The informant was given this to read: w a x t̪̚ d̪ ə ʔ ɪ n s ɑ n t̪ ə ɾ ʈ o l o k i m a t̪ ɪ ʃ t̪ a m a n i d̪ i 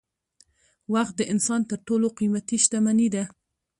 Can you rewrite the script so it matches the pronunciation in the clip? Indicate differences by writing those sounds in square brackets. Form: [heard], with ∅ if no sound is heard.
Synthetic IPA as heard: w a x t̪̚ d̪ ə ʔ ɪ n s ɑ n t̪ ə ɾ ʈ o l o [q] i m a t̪ [i] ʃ t̪ a m a n i d̪ [a]